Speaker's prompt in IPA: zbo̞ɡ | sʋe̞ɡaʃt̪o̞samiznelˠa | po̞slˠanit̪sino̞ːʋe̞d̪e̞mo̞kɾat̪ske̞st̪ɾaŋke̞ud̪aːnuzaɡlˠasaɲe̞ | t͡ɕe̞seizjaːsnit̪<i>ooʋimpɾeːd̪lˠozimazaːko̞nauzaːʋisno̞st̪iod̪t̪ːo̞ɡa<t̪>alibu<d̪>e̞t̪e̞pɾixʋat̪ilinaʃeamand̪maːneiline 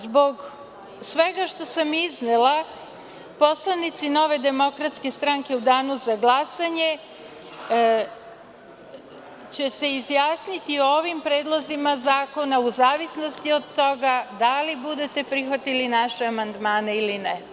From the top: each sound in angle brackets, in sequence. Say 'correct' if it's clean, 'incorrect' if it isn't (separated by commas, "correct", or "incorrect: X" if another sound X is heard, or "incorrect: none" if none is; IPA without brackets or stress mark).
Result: correct, incorrect: d̪, correct